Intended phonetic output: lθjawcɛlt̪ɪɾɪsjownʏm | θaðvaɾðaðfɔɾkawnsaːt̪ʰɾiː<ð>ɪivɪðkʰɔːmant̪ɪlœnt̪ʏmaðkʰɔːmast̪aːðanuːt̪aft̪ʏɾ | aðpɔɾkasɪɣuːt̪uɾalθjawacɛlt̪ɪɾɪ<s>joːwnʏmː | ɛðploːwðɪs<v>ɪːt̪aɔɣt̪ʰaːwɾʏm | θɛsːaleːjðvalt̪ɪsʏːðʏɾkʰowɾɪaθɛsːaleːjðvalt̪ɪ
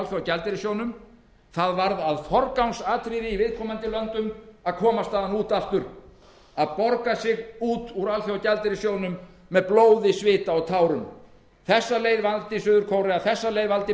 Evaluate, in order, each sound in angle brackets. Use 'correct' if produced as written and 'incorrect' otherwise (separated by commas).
correct, correct, correct